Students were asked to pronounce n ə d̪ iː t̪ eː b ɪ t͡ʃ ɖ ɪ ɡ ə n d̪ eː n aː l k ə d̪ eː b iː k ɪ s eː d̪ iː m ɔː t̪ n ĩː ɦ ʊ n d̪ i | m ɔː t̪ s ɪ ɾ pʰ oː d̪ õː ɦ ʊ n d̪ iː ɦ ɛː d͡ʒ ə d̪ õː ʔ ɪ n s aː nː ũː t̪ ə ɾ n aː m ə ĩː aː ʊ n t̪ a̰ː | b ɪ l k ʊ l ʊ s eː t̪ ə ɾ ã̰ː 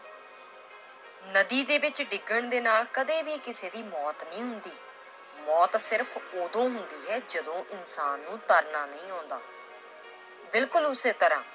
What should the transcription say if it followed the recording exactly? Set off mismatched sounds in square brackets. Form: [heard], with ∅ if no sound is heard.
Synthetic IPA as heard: n ə d̪ iː [d̪] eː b ɪ t͡ʃ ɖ ɪ ɡ ə [ɳ] d̪ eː n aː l k ə d̪ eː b iː k ɪ s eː d̪ iː m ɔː t̪ n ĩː ɦ ʊ n d̪ [iː] | m ɔː t̪ s ɪ ɾ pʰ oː d̪ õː ɦ ʊ n d̪ iː ɦ ɛː d͡ʒ ə d̪ õː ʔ ɪ n s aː nː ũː t̪ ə ɾ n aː [n] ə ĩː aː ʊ n [d̪] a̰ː | b ɪ l k ʊ l ʊ s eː t̪ ə ɾ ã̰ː